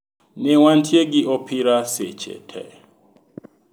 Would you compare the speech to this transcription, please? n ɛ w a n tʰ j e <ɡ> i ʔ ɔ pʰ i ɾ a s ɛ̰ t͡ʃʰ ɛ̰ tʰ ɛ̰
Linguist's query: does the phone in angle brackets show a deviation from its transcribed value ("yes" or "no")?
no